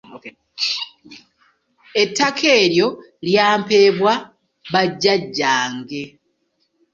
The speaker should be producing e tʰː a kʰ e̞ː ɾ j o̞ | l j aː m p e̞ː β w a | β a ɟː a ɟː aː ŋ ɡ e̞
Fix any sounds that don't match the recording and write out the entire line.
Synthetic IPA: e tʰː a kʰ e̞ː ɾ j o̞ | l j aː m p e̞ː β w a | β a ɟː a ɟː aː ŋ ɡ e̞